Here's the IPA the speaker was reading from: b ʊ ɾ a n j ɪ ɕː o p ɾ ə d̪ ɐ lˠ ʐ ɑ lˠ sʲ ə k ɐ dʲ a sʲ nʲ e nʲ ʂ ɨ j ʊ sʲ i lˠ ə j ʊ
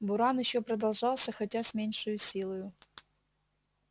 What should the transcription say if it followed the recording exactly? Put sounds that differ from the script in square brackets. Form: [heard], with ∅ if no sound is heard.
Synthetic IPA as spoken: b ʊ ɾ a n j ɪ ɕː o p ɾ ə d̪ ɐ lˠ ʐ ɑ lˠ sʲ ə [x] ɐ [tʲ] a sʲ [mʲ] e nʲ ʂ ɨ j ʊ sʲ i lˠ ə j ʊ